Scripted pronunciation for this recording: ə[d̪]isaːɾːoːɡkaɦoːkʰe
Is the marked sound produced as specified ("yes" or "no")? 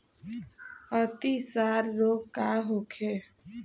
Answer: no